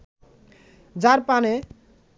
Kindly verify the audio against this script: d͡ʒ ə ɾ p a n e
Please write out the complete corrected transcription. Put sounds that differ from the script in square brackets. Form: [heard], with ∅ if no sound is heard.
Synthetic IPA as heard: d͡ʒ [a] ɾ p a n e